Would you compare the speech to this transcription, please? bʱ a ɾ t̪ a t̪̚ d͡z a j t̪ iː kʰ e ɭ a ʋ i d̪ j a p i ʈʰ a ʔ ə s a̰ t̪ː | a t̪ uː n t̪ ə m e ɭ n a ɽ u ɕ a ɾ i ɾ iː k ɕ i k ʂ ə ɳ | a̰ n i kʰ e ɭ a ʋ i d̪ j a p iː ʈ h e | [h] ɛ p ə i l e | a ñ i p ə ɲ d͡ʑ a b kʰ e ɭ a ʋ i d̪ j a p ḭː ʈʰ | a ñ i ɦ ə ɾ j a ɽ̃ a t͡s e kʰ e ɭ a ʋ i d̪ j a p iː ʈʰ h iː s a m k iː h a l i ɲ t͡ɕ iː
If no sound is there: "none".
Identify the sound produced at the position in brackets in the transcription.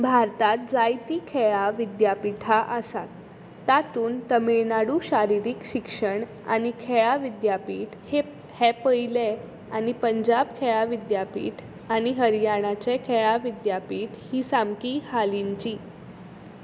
h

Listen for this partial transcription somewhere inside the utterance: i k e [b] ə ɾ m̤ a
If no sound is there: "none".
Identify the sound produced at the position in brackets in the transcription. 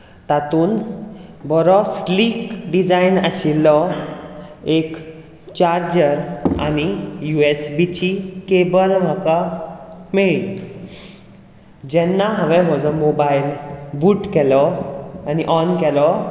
b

